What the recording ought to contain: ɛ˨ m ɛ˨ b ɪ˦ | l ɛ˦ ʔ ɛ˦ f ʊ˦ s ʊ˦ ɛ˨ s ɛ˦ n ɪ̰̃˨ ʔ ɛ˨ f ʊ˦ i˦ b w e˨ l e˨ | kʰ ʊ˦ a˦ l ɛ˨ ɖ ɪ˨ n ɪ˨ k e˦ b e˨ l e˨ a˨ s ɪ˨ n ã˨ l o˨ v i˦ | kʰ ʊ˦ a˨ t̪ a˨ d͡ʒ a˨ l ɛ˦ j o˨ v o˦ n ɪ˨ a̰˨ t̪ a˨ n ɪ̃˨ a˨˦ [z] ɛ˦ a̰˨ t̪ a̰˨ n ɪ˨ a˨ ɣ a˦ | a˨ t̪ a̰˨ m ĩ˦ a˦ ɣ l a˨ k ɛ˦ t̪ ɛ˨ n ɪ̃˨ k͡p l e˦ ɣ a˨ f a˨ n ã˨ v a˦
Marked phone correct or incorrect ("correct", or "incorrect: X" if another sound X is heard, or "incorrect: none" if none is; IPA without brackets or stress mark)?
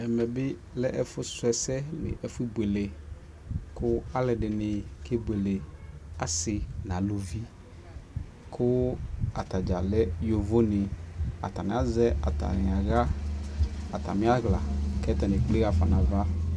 correct